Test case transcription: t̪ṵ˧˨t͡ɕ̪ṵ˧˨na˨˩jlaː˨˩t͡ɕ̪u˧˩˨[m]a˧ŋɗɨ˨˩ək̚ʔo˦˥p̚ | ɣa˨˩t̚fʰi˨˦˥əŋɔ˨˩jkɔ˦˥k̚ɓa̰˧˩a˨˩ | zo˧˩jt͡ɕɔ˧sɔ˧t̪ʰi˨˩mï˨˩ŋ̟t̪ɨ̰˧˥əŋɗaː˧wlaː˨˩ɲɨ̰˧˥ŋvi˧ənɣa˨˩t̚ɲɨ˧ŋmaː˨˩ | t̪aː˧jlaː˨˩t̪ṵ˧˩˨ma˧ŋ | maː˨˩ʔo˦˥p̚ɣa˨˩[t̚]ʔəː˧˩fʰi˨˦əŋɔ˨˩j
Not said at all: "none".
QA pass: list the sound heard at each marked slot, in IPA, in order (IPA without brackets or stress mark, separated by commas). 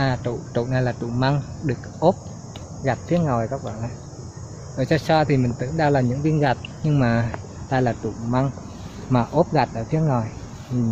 m, t̚